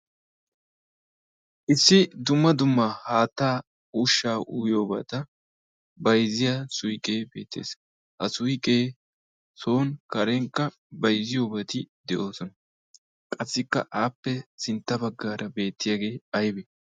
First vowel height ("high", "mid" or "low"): high